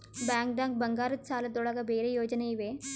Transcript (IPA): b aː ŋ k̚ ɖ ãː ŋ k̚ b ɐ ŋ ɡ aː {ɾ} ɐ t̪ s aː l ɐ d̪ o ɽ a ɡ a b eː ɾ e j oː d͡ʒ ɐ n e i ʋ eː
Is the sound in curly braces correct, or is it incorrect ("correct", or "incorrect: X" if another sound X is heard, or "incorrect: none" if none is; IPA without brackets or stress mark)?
correct